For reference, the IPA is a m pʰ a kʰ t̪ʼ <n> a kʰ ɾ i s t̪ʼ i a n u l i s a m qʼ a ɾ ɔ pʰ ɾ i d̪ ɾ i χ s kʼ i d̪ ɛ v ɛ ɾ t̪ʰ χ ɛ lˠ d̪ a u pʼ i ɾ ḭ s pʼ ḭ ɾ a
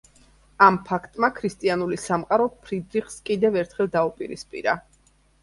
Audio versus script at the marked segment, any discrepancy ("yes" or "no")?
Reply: yes